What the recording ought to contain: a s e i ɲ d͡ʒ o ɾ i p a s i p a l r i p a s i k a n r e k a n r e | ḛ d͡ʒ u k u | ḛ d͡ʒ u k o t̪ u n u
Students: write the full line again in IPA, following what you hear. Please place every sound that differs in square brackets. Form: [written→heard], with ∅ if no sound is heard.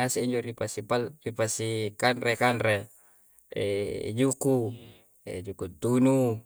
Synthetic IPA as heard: a s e i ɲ d͡ʒ o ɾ i p a s i p a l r i p a s i k a n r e k a n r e | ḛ d͡ʒ u k u | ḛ d͡ʒ u k [o→u] t̪ u n u